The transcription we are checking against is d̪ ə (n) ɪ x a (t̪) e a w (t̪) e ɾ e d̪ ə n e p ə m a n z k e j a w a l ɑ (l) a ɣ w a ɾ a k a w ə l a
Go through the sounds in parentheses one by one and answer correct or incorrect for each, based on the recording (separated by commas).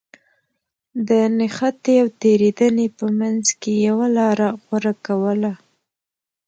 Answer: correct, correct, correct, incorrect